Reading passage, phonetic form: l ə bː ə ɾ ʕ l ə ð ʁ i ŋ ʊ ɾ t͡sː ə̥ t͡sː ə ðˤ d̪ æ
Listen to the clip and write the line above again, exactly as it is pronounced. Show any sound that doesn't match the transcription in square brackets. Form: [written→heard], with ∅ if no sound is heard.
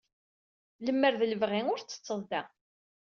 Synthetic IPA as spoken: l ə [bː→mː] ə ɾ [ʕ→ð] l ə [ð→v] ʁ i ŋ ʊ ɾ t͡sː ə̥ t͡sː ə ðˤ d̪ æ